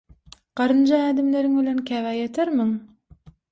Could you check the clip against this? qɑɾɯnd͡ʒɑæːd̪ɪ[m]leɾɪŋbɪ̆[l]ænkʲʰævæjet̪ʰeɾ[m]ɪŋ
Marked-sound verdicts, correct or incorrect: correct, correct, correct

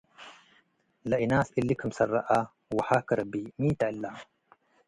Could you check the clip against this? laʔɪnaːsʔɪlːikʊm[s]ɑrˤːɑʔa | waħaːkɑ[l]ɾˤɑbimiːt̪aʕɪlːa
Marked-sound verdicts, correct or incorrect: correct, incorrect

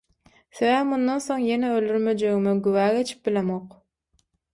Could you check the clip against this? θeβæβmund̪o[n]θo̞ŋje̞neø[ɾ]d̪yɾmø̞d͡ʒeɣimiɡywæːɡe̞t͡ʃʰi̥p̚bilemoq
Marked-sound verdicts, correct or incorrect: correct, incorrect

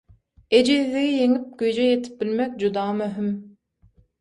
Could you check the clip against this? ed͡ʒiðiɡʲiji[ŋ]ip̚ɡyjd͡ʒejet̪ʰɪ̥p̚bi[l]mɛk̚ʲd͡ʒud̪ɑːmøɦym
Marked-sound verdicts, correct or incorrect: correct, correct

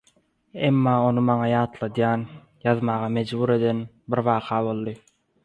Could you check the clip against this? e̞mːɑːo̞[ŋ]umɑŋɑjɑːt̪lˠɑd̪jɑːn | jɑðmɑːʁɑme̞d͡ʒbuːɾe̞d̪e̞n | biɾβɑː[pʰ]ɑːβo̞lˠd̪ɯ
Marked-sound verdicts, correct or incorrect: incorrect, incorrect

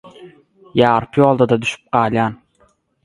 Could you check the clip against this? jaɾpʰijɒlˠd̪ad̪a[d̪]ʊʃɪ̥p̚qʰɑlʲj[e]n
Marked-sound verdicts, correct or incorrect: correct, incorrect

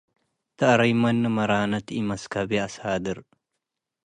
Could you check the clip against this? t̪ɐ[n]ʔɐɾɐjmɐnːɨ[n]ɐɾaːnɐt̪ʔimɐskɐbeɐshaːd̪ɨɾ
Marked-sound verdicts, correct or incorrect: incorrect, incorrect

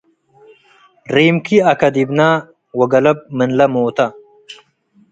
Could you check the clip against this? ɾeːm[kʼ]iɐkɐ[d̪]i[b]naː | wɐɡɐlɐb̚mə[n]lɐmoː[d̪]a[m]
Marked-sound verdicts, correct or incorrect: incorrect, correct, correct, correct, incorrect, incorrect

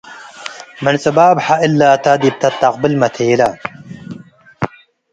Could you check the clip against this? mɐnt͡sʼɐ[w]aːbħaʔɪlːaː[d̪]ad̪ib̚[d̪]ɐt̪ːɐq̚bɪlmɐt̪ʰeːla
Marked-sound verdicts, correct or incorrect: incorrect, incorrect, incorrect

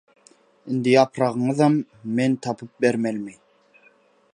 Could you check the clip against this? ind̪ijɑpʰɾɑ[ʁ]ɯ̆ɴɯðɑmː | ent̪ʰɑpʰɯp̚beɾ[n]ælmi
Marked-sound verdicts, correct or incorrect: correct, incorrect

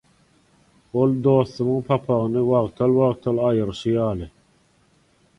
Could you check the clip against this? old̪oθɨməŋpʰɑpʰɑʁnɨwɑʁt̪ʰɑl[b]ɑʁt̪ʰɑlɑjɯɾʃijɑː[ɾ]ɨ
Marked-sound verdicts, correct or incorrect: incorrect, incorrect

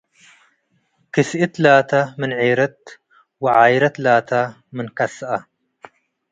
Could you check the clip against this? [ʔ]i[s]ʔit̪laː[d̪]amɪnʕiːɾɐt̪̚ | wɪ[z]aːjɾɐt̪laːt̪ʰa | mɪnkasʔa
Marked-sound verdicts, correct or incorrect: incorrect, correct, incorrect, incorrect

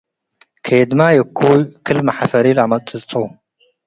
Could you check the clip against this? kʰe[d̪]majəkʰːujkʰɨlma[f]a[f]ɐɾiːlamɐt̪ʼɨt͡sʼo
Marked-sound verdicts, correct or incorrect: correct, incorrect, correct

